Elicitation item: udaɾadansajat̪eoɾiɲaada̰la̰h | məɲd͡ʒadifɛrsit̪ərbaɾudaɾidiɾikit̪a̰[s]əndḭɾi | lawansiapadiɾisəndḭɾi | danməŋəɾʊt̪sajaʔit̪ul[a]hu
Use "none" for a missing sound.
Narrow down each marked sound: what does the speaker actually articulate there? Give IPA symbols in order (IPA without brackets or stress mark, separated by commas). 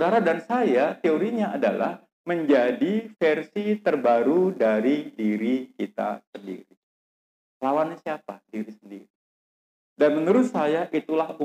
s, a